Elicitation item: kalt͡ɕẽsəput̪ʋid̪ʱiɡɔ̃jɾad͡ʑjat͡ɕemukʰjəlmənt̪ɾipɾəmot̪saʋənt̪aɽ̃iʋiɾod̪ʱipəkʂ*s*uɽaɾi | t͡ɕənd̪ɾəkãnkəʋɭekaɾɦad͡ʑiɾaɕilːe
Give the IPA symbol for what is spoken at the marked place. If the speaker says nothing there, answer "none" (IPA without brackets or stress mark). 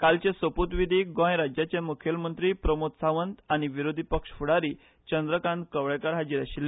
f